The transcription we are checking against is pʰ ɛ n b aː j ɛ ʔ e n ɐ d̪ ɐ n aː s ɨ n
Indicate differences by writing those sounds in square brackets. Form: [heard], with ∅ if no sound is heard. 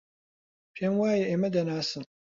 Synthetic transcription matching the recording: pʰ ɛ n [w] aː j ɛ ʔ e [m] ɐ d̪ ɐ n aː s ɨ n

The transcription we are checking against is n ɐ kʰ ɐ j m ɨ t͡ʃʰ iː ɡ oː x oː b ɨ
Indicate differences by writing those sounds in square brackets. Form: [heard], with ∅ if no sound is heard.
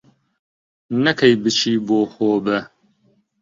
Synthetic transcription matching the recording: n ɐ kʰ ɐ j [b] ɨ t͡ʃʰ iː [b] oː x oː b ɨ

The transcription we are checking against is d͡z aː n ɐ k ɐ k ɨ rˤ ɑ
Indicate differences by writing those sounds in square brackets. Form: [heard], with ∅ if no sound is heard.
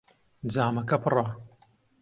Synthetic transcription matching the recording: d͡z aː [m] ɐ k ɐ [p] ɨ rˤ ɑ

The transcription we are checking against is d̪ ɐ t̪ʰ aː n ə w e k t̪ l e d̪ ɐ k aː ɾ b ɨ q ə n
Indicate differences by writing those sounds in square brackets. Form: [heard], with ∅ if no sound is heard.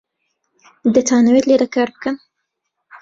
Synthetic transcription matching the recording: d̪ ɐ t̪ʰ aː n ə w e [∅] t̪ l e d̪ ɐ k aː ɾ b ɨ [k] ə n

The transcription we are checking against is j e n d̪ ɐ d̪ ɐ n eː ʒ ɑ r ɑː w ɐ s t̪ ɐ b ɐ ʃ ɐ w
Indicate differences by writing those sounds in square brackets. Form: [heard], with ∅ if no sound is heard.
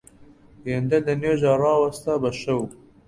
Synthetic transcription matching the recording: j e n d̪ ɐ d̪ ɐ n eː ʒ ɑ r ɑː w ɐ s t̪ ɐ b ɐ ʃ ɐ w

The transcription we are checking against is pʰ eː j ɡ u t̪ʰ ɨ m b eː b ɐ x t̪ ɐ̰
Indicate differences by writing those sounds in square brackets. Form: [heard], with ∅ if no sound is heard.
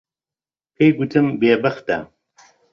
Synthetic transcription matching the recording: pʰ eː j ɡ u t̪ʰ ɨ m b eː b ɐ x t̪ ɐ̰

